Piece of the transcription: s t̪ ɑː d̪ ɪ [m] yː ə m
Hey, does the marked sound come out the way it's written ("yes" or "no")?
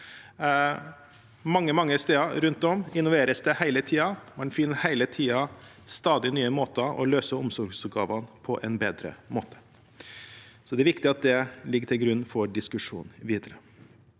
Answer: no